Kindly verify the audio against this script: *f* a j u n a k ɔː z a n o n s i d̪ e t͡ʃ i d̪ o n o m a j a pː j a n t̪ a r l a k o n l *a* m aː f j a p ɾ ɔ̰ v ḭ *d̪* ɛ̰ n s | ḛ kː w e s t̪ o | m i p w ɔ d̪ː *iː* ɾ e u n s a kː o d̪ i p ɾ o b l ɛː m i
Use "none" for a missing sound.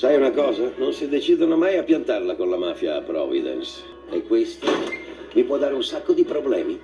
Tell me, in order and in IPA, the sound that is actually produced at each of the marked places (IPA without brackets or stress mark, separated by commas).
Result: s, a, d̪, aː